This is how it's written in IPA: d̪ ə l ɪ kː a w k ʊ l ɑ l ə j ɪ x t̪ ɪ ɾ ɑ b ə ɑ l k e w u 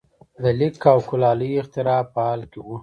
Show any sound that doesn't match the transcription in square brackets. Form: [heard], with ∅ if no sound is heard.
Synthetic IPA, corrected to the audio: d̪ ə l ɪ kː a w k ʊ l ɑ l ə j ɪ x t̪ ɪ ɾ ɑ [p] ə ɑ l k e w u